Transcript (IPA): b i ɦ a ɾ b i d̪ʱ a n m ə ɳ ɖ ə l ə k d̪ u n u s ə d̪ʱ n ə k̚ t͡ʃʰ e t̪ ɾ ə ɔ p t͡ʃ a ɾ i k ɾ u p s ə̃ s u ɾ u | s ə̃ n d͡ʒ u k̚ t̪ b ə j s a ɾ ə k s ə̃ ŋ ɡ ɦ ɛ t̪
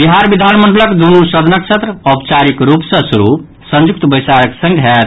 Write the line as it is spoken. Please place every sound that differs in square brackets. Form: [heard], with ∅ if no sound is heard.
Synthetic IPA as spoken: b i ɦ a ɾ b i d̪ʱ a n m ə ɳ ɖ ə l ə k d̪ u n u s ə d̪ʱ n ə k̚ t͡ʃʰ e t̪ ɾ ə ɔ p t͡ʃ a ɾ i k ɾ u p s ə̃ s u ɾ u | s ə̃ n d͡ʒ u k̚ t̪ b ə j s a ɾ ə k s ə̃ ŋ ɡ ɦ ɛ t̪